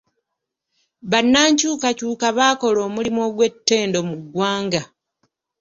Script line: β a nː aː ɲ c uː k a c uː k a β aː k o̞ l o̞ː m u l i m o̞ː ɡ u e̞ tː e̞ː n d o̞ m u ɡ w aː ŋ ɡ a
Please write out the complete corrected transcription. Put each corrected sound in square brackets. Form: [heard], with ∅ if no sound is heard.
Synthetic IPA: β a nː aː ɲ c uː k a c uː k a β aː k o̞ l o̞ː m u l i m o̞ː ɡ [w] e̞ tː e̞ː n d o̞ m u ɡ w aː ŋ ɡ a